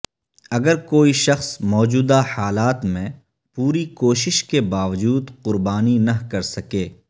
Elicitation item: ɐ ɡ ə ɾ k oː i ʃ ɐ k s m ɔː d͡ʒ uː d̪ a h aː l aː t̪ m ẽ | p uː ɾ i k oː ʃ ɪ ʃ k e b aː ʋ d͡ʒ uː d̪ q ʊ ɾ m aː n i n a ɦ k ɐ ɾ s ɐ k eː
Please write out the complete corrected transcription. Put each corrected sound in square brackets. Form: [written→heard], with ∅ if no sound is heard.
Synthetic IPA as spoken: ɐ ɡ ə ɾ k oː i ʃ ɐ [k→x] s m ɔː d͡ʒ uː d̪ a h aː l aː t̪ m ẽ | p uː ɾ i k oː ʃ ɪ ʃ k e b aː ʋ d͡ʒ uː d̪ q ʊ ɾ [m→b] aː n i n [a→ɐ] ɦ k ɐ ɾ s ɐ k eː